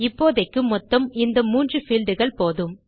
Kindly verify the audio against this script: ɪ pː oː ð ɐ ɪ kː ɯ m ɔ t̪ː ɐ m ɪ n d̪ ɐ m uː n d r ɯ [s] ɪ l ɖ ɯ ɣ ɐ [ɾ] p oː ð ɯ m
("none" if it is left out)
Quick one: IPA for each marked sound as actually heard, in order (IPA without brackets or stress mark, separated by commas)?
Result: f, ɭ